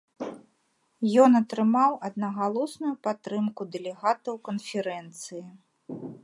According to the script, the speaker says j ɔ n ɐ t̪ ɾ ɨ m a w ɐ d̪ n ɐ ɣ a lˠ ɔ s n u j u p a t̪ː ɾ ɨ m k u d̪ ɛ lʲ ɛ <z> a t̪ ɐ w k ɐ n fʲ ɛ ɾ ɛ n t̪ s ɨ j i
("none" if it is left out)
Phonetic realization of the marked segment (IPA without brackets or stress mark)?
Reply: ɣ